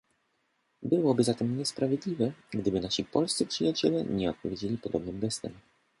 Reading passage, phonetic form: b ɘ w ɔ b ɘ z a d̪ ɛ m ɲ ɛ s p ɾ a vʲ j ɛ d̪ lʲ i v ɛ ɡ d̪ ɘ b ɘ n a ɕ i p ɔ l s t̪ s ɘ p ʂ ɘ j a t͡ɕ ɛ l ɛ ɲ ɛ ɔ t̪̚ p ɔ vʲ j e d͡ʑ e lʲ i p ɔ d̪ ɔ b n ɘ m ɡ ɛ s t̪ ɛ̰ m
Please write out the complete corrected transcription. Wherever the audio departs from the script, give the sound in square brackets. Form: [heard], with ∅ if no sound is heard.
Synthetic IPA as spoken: b ɘ w ɔ b ɘ z a [t̪] ɛ m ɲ ɛ s p ɾ a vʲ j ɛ d̪ lʲ i v ɛ ɡ d̪ ɘ b ɘ n a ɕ i p ɔ l s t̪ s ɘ p ʂ ɘ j a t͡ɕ ɛ l ɛ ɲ ɛ ɔ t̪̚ p ɔ vʲ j e d͡ʑ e lʲ i p ɔ d̪ ɔ b n ɘ m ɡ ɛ s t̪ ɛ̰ m